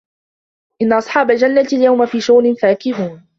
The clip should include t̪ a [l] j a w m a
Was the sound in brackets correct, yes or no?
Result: yes